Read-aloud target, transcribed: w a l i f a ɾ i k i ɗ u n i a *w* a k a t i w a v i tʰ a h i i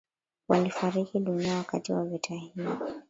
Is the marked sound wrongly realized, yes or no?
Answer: no